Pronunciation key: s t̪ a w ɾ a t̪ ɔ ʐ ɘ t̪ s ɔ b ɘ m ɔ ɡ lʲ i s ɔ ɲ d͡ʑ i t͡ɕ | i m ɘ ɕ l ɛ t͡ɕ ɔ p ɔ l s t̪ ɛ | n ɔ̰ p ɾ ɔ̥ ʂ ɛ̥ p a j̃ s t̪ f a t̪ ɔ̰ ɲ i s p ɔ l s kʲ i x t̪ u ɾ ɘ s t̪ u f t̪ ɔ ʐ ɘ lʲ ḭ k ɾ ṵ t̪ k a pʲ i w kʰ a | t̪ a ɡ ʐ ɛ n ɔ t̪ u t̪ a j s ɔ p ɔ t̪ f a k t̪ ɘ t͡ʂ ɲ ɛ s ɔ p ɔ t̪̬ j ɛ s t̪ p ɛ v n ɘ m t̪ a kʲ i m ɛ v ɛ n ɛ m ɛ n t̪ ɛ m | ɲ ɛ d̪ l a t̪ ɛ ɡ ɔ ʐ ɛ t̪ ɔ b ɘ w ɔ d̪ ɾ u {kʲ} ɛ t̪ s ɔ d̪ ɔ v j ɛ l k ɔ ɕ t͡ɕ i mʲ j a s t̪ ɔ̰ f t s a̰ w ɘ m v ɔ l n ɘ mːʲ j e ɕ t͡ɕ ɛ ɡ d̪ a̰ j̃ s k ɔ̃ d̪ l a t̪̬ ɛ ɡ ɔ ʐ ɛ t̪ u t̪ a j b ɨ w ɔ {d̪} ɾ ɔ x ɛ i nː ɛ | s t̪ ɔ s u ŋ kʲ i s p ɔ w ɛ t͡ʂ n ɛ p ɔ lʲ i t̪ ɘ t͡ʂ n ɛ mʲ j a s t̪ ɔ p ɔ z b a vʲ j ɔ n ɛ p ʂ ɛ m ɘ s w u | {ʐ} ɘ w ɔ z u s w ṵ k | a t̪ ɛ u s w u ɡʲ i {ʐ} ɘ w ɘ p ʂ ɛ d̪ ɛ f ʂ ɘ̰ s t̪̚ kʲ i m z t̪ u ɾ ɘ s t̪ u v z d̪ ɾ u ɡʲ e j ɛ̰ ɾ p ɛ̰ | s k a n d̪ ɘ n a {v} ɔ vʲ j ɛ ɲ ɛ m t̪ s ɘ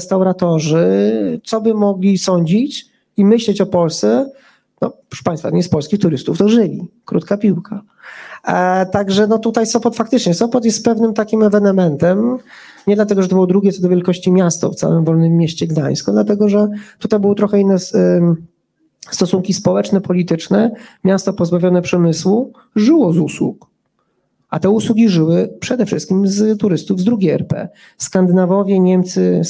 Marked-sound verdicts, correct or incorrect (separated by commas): incorrect, incorrect, correct, correct, correct